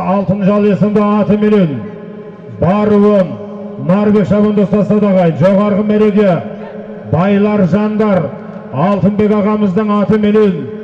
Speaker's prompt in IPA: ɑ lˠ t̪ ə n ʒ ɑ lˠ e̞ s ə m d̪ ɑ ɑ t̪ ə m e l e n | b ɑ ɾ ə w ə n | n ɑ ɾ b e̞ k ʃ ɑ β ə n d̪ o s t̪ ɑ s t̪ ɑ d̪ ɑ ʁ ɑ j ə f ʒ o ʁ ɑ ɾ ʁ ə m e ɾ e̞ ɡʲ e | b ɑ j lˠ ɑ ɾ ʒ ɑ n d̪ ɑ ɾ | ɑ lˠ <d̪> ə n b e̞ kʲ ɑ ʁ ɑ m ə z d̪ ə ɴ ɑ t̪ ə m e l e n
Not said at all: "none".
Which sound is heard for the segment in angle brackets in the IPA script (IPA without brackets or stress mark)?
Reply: t̪